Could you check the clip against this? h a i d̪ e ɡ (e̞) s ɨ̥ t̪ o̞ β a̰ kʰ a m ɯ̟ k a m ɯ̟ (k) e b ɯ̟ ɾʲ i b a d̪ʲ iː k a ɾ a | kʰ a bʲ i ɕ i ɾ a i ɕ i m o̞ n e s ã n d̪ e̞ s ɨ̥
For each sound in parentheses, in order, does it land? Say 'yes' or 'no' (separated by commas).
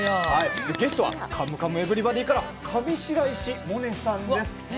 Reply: yes, no